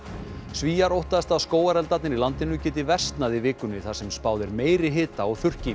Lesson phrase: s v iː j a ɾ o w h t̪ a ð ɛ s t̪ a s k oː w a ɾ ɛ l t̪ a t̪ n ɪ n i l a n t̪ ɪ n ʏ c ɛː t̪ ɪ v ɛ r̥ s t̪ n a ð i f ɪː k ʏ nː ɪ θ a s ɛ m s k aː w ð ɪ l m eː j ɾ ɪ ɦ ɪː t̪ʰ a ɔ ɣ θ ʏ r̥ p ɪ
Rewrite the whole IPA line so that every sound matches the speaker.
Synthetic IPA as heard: s v iː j a ɾ o w h t̪ a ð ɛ s t̪ a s k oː w a ɾ ɛ l t̪ a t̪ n ɪ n i l a n t̪ ɪ n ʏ c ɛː t̪ ɪ v ɛ r̥ s t̪ n a ð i v ɪː k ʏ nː ɪ θ a s ɛ m s p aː w ð ɪ ɾ m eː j ɾ ɪ ɦ ɪː t̪ a ɔ ɣ θ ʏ r̥ c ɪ